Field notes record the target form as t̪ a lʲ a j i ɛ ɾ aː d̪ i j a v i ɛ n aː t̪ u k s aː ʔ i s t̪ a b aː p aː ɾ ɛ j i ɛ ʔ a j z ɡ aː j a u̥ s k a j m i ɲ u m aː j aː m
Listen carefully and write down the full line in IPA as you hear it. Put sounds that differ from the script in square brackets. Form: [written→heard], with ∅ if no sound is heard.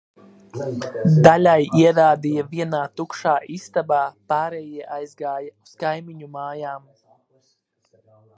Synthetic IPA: [t̪→d̪] a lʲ a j i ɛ ɾ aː d̪ i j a v i ɛ n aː t̪ u k [s→ʃ] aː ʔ i s t̪ a b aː p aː ɾ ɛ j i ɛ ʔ a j z ɡ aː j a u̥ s k a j m i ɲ u m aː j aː m